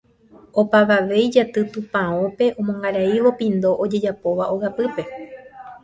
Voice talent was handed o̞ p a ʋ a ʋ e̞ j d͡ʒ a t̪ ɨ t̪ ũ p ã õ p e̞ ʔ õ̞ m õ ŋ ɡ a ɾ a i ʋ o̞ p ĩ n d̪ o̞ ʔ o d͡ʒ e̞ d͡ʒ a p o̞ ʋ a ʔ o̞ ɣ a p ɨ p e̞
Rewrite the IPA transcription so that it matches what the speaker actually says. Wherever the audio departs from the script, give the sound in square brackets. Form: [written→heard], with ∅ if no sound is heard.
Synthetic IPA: o̞ p a ʋ a ʋ e̞ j d͡ʒ a t̪ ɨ t̪ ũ p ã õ p e̞ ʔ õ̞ m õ ŋ ɡ a ɾ a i ʋ o̞ p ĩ n d̪ o̞ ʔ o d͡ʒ e̞ d͡ʒ a p o̞ ʋ a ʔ o̞ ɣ a p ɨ p e̞

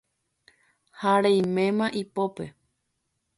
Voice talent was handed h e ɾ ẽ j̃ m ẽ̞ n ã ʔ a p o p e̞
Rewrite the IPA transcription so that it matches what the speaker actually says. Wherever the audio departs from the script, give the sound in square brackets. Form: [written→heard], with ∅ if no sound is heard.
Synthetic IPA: h [e→a] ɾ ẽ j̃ m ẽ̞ [n→m] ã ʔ [a→i] p o p e̞

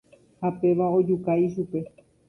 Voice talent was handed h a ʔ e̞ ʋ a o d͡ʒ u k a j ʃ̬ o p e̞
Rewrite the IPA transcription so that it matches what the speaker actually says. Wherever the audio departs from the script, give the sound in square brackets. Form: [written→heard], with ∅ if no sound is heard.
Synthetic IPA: h a [ʔ→p] e̞ ʋ a o d͡ʒ u k a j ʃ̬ [o→u] p e̞

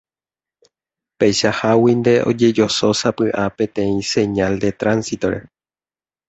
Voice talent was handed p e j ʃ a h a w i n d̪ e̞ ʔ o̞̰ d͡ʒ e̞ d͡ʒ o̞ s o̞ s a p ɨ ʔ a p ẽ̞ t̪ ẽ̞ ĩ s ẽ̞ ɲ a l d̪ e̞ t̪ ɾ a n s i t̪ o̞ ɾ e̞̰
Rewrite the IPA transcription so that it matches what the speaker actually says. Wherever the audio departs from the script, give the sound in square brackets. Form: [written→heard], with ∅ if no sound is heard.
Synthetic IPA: p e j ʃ a h a w i n d̪ e̞ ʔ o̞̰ d͡ʒ e̞ d͡ʒ o̞ s o̞ s a p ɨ ʔ a p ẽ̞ t̪ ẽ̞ ĩ s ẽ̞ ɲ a l d̪ e̞ t̪ ɾ a n s i t̪ o̞ ɾ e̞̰

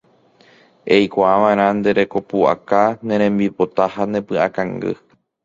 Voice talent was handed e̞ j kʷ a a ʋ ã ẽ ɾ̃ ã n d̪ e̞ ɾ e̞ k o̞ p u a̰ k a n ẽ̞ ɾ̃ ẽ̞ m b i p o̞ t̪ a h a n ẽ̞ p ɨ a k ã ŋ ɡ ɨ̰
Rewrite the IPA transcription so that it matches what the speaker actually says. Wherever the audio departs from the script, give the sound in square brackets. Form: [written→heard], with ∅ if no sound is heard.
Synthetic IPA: e̞ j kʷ a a ʋ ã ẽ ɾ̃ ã n d̪ e̞ ɾ e̞ k o̞ p u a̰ k a n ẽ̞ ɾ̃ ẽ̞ m b i p o̞ t̪ a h a n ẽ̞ p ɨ a k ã ŋ ɡ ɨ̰

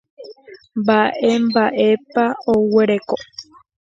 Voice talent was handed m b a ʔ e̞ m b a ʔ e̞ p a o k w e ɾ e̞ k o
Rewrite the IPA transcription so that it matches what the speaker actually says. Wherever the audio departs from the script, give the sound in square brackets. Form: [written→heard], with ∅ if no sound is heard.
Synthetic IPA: m b a ʔ e̞ m b a ʔ e̞ p a o [k→∅] w e ɾ e̞ k o

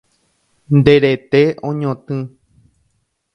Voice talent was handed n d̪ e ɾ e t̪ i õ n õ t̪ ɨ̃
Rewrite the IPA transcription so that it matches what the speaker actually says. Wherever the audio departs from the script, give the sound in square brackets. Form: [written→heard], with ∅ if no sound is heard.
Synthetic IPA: n d̪ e ɾ e t̪ [i→e] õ [n→ɲ] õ t̪ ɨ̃

